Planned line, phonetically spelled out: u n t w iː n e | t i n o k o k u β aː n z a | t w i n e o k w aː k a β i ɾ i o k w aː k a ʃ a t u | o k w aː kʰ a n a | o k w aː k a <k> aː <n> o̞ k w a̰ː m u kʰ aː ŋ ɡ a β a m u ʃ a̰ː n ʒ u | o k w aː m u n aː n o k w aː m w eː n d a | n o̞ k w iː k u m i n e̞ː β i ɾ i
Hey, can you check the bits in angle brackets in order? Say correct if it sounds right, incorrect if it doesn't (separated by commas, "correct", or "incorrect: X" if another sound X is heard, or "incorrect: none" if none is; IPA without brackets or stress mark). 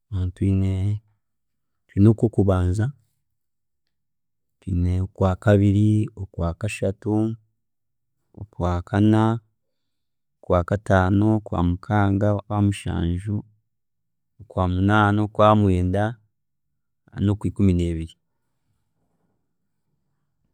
incorrect: t, correct